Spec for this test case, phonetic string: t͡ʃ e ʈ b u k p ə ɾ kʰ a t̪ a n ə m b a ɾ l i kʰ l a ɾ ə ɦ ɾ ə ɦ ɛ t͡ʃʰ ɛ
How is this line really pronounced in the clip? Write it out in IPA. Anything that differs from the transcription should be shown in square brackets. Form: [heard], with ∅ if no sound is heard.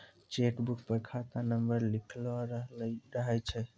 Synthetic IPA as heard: t͡ʃ e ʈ b u k p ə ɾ kʰ a t̪ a n ə m b [ə] ɾ l i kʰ l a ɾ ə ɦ ɾ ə ɦ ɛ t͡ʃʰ ɛ